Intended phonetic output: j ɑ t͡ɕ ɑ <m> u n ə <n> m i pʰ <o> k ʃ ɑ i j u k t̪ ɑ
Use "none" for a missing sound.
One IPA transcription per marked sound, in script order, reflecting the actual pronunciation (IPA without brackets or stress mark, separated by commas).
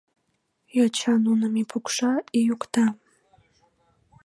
n, none, u